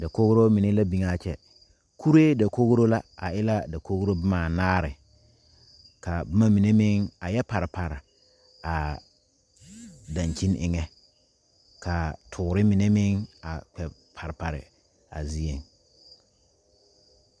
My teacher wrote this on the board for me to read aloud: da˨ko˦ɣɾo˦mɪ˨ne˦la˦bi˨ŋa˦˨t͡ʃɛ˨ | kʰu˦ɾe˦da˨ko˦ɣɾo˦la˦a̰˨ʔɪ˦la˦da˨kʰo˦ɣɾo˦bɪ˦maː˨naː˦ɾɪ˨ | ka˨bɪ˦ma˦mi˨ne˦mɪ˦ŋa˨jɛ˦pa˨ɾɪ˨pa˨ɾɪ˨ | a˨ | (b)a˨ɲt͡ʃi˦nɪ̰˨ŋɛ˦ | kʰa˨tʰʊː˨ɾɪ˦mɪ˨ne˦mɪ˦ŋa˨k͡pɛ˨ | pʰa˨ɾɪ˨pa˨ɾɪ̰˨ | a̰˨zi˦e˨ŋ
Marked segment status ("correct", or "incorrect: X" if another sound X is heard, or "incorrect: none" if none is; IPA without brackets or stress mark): incorrect: d